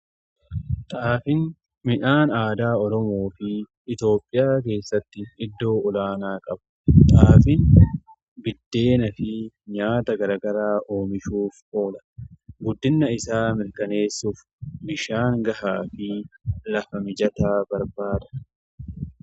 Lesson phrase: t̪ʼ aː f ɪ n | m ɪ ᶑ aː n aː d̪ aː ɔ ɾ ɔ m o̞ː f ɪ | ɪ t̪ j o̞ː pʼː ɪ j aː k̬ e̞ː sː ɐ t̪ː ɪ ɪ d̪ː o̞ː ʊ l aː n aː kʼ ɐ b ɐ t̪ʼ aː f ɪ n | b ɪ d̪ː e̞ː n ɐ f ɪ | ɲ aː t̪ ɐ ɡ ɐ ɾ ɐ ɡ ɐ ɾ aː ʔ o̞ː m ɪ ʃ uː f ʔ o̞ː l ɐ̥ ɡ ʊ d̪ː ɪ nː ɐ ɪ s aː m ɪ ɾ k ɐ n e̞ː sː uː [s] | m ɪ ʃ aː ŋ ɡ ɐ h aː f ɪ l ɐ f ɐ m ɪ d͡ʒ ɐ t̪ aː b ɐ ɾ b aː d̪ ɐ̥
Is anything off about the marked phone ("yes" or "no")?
yes